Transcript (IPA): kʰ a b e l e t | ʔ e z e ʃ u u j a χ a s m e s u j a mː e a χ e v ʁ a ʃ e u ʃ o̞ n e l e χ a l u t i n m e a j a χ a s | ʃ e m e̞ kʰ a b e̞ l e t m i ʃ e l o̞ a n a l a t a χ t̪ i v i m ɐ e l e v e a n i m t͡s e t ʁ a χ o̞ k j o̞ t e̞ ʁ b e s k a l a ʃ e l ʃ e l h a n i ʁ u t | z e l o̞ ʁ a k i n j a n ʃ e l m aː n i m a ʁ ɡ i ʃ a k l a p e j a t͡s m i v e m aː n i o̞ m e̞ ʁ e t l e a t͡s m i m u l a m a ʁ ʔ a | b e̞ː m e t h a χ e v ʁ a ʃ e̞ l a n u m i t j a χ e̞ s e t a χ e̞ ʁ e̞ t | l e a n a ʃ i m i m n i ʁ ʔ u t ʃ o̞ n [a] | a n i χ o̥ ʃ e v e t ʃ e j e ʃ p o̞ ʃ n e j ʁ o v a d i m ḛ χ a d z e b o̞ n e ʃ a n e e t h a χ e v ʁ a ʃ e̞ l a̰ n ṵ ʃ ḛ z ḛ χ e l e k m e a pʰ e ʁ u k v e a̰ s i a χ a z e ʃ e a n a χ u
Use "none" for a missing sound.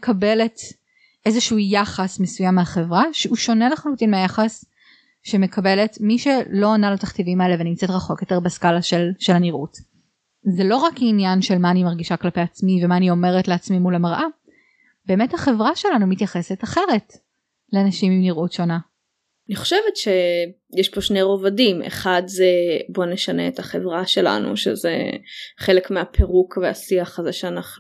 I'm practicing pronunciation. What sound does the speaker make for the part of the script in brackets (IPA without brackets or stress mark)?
a